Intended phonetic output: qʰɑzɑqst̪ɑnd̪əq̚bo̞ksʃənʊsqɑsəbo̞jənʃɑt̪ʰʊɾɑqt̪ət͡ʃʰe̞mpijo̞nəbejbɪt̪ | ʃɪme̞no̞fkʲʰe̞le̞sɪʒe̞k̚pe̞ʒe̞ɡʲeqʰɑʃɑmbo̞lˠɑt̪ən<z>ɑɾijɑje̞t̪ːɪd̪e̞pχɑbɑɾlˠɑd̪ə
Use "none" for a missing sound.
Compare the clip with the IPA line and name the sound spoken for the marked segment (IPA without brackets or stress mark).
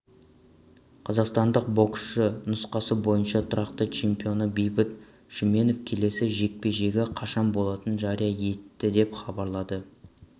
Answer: ʒ